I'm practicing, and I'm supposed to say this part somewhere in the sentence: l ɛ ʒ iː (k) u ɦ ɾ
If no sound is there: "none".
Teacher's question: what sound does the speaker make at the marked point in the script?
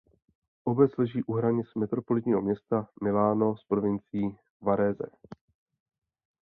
ʔ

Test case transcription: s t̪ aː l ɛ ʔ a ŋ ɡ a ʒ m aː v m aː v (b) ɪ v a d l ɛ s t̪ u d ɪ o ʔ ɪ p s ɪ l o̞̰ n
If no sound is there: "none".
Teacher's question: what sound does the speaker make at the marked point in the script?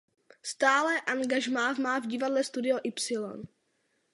ɟ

